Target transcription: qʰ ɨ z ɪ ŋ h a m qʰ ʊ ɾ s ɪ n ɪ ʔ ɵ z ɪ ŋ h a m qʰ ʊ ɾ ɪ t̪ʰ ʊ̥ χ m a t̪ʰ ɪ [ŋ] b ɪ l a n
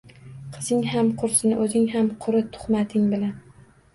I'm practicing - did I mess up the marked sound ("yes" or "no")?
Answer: no